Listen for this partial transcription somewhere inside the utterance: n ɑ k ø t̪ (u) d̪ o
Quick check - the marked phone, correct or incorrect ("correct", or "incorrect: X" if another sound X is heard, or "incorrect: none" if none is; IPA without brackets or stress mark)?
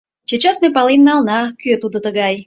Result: correct